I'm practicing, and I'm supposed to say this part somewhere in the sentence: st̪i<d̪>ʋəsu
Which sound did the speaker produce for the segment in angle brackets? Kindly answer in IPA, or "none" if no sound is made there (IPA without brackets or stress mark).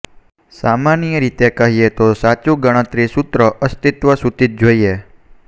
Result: t̪